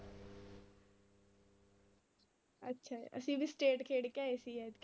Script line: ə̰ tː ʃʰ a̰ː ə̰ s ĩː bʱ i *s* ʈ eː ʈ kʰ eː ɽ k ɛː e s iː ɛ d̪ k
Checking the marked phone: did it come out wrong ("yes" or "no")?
no